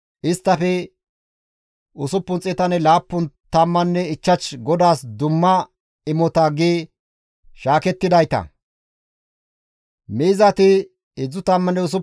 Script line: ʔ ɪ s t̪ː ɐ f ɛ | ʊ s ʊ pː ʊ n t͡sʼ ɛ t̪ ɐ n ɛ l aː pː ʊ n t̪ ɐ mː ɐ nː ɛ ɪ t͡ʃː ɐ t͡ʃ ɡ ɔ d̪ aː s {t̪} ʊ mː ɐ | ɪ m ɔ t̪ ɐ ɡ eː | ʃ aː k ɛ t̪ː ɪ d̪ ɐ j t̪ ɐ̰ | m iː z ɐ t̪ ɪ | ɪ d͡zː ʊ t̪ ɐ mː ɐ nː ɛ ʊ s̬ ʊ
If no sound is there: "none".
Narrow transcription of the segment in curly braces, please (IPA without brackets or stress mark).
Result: d̪